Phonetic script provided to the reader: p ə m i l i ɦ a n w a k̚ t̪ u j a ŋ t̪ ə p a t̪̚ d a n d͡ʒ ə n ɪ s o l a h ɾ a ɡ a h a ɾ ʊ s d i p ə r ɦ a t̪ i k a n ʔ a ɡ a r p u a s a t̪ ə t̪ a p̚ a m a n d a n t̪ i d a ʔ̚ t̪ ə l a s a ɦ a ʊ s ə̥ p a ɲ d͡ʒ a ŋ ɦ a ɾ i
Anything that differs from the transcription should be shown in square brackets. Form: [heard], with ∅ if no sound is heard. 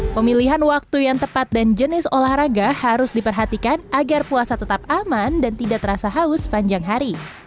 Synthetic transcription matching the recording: p ə m i l i ɦ a n w a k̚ t̪ u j a ŋ t̪ ə p a t̪̚ d a n d͡ʒ ə n ɪ s o l a h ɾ a ɡ a h a ɾ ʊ s d i p ə r ɦ a t̪ i k a n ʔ a ɡ a r p u a s a t̪ ə t̪ a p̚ a m a n d a n t̪ i d a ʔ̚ t̪ ə [ɾ] a s a ɦ a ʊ s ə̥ p a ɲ d͡ʒ a ŋ ɦ a ɾ i

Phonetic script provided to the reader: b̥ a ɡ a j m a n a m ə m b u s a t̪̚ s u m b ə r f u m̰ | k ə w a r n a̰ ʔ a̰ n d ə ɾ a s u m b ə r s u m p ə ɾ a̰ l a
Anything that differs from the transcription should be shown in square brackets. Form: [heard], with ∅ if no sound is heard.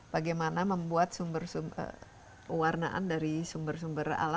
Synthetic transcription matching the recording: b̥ a ɡ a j m a n a m ə m b u [∅] a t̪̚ s u m b ə r [s] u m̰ | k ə w a r n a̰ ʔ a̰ n d [a] ɾ [i] s u m b ə r s u m [b] ə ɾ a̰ l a

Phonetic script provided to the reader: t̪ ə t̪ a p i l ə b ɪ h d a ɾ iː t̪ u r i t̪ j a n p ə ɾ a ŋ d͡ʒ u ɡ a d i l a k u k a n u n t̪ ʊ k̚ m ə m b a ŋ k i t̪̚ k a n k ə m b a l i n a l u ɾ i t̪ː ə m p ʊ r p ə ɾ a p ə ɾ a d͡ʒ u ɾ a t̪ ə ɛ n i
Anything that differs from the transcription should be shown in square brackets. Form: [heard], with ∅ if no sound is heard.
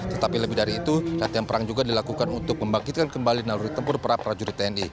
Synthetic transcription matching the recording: t̪ ə t̪ a p i l ə b ɪ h d a ɾ iː t̪ u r [a] t̪ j a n p ə ɾ a ŋ d͡ʒ u ɡ a d i l a k u k a n u n t̪ ʊ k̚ m ə m b a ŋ k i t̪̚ k a n k ə m b a l i n a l u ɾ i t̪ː ə m p ʊ r p ə ɾ a p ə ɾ a d͡ʒ u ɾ [i] t̪ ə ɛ n i

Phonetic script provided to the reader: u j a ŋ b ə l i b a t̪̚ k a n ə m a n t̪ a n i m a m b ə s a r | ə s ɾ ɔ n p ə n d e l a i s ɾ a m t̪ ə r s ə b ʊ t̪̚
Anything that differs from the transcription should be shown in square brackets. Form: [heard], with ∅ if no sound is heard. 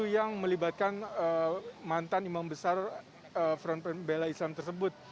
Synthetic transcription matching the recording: u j a ŋ [m] ə l i b a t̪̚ k a n ə m a n t̪ a n i m a m b ə s a r | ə [f] ɾ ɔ n p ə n [b] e l a i s [l] a m t̪ ə r s ə b ʊ t̪̚

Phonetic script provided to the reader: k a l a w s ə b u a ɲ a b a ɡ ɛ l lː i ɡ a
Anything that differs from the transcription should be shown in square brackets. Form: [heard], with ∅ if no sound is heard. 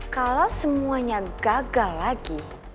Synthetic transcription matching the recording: k a l a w s ə [m] u a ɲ a [ɡ] a ɡ [a] l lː [a] ɡ [i]

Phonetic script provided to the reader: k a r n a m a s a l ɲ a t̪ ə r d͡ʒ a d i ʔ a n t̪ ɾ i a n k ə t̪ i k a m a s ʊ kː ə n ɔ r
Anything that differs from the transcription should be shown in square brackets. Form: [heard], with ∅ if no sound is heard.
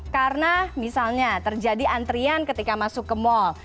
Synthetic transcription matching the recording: k a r n a m [i] s a l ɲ a t̪ ə r d͡ʒ a d i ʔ a n t̪ ɾ i a n k ə t̪ i k a m a s ʊ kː ə [m] ɔ [l]

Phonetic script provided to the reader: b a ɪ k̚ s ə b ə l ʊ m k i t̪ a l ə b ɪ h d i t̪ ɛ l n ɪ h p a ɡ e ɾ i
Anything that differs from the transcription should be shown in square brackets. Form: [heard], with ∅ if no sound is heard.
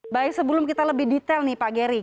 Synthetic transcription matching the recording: b a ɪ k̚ s ə b ə l ʊ m k i t̪ a l ə b ɪ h d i t̪ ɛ l n ɪ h p a ɡ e ɾ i

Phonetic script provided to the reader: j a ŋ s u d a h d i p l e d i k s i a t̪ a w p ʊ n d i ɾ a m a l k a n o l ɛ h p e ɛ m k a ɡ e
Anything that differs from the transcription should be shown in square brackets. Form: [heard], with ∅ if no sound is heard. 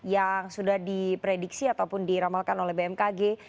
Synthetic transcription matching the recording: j a ŋ s u d a h d i p [ɾ] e d i k s i a t̪ a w p ʊ n d i ɾ a m a l k a n o l ɛ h [b] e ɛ m k a ɡ e

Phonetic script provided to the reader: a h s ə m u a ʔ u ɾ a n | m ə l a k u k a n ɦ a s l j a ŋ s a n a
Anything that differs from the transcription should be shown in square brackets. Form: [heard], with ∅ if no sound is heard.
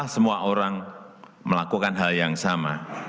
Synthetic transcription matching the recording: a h s ə m u a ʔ [o] ɾ a [ŋ] | m ə l a k u k a n ɦ a [∅] l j a ŋ s a [m] a

